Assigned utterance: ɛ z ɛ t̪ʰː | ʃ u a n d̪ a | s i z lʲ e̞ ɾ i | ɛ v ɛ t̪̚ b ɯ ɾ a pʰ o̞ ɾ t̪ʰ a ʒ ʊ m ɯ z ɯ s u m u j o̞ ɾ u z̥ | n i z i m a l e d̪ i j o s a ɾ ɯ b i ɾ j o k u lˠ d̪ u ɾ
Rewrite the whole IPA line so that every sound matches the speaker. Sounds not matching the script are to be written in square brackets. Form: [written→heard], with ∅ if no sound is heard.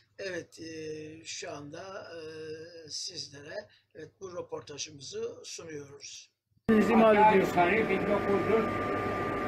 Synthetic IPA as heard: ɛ [z→v] ɛ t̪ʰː | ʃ u a n d̪ a | s i z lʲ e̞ ɾ [i→ɛ] | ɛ v ɛ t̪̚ b [ɯ→u] ɾ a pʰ o̞ ɾ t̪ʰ a ʒ [ʊ→ɯ] m ɯ z ɯ s u [m→n] u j o̞ ɾ u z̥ | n i z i m a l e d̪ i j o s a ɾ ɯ b i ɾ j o k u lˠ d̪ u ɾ

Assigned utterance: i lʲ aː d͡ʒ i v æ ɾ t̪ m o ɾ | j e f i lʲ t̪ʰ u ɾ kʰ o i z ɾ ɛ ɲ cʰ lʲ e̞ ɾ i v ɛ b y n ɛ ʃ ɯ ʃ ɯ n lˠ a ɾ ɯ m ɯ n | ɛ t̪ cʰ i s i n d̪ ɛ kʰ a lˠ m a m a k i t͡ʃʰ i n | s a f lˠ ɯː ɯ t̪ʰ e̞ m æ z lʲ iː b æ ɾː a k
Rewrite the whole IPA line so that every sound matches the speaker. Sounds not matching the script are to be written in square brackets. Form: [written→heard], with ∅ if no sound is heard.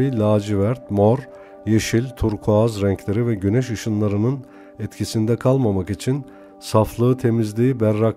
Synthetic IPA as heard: i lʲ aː d͡ʒ i v æ ɾ t̪ m o ɾ | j e [f→ʃ] i lʲ t̪ʰ u ɾ kʰ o [i→a] z ɾ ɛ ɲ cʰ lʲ e̞ ɾ i v ɛ [b→ɟ] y n ɛ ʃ ɯ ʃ ɯ n lˠ a ɾ ɯ [m→n] ɯ n | ɛ t̪ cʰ i s i n d̪ ɛ kʰ a lˠ m a m a k i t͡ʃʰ i n | s a f lˠ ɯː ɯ t̪ʰ e̞ m [æ→i] z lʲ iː b æ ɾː a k

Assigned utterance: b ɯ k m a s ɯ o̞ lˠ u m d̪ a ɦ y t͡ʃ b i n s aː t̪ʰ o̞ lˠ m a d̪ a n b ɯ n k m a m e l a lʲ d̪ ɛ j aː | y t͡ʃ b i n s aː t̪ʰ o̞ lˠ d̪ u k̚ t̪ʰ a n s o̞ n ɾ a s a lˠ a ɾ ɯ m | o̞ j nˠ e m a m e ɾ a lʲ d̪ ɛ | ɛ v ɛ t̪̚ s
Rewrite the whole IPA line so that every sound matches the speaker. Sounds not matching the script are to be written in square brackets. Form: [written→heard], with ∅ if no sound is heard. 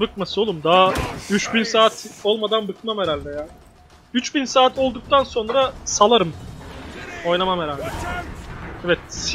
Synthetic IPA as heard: b ɯ k m a s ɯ o̞ lˠ u m d̪ a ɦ y t͡ʃ b i n s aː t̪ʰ o̞ lˠ m a d̪ a n b ɯ [n→∅] k m a m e [l→ɾ] a lʲ d̪ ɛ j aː | y t͡ʃ b i n s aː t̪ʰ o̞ lˠ d̪ u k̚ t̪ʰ a n s o̞ n ɾ a s a lˠ a ɾ ɯ m | o̞ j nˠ [e→a] m a m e ɾ a lʲ d̪ ɛ | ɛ v ɛ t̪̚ s

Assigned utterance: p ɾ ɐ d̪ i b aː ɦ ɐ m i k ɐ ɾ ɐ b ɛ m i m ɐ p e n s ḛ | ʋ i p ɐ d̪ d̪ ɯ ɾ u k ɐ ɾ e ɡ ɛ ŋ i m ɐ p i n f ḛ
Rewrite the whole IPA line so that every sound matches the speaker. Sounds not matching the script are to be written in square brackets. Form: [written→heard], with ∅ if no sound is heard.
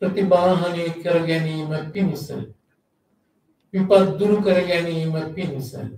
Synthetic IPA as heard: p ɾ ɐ [d̪→t̪] i b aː ɦ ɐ [m→n] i k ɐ ɾ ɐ [b→ɡ] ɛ [m→n] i m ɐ p [e→i] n s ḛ | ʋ i p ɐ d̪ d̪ [ɯ→u] ɾ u k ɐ ɾ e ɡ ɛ [ŋ→n] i m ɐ p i n [f→s] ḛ

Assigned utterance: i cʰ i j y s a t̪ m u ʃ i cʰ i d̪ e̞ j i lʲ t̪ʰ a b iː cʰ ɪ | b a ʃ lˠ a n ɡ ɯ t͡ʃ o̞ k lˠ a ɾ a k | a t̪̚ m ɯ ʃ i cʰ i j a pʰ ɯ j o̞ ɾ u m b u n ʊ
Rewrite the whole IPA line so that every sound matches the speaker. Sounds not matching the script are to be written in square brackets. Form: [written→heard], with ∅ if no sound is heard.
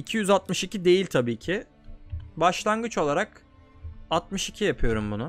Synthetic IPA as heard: i cʰ i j y [s→z] a t̪ m [u→ɯ] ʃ i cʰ i d̪ e̞ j i lʲ t̪ʰ a b iː cʰ ɪ | b a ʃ lˠ a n ɡ ɯ t͡ʃ o̞ [k→∅] lˠ a ɾ a k | a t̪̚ m ɯ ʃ i cʰ i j a pʰ ɯ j o̞ ɾ u m b u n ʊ

